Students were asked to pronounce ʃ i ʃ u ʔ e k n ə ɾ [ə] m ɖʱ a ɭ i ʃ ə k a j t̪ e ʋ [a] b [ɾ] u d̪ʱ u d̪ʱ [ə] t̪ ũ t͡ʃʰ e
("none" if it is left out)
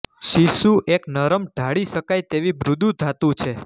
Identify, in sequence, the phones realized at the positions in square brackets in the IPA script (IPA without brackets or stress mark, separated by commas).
ə, i, ɾ, a